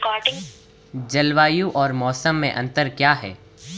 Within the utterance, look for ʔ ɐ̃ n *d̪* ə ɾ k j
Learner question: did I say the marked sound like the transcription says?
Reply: no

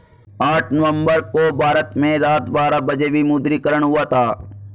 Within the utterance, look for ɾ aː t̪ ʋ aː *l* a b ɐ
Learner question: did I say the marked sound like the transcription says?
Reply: no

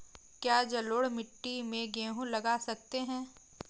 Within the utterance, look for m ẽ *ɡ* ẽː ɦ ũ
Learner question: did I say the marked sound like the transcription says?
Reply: yes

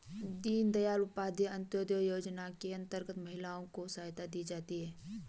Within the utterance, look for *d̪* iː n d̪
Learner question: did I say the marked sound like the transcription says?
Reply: yes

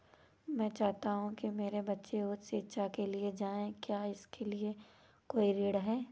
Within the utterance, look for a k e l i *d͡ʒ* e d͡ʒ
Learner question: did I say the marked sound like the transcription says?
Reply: no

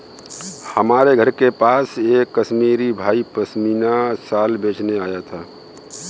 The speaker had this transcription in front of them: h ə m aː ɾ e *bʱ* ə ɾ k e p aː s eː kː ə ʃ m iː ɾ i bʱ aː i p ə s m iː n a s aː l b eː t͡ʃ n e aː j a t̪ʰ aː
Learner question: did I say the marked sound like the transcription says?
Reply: no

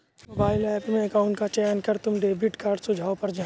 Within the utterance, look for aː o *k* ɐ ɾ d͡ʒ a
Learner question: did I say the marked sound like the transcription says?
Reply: no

